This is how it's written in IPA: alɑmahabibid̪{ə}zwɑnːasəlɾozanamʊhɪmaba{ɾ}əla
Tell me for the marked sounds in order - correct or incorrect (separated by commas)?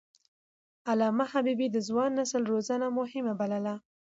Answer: correct, incorrect